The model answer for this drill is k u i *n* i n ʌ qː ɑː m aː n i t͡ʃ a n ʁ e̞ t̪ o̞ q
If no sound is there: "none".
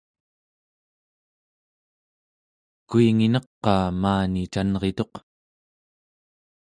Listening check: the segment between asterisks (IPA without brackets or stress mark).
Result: ŋ